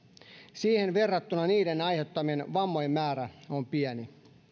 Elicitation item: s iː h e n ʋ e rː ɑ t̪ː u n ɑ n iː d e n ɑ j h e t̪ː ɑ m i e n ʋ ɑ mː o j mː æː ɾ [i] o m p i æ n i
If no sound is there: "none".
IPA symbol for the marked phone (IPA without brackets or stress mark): æ